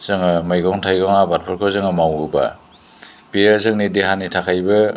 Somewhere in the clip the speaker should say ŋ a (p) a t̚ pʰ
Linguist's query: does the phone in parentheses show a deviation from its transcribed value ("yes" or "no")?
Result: yes